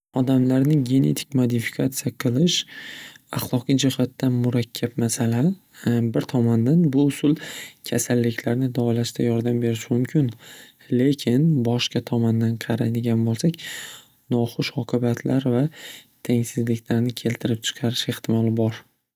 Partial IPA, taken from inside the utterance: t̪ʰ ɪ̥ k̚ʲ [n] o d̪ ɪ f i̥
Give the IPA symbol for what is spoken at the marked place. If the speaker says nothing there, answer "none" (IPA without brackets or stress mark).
m